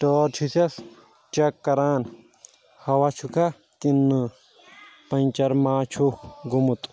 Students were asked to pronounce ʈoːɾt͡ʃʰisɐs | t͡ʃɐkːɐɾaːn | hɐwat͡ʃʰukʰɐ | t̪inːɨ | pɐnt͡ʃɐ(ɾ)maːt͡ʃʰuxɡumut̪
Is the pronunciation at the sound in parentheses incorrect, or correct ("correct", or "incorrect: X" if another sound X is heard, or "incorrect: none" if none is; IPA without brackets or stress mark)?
correct